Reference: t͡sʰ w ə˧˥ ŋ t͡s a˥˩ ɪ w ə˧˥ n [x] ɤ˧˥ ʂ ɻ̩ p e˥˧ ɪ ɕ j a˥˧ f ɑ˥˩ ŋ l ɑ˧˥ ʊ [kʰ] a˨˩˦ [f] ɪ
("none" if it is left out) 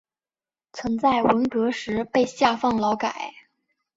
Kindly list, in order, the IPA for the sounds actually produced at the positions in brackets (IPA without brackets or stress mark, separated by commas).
k, k, none